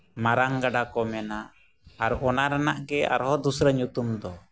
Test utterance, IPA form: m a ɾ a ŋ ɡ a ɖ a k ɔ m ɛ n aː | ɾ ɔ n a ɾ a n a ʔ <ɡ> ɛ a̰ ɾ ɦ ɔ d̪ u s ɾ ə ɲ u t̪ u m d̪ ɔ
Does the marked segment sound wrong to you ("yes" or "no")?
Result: no